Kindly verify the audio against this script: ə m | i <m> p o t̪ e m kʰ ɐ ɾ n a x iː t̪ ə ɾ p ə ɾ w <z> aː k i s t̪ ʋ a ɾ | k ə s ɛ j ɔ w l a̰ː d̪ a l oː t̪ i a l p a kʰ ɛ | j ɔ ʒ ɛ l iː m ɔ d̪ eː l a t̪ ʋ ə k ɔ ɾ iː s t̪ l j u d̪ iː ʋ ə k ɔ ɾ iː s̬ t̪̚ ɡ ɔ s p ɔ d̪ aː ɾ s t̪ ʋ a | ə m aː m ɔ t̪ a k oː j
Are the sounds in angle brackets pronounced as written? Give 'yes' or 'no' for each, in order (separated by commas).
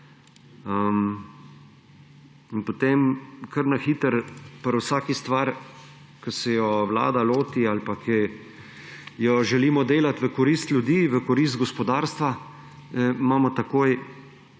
no, no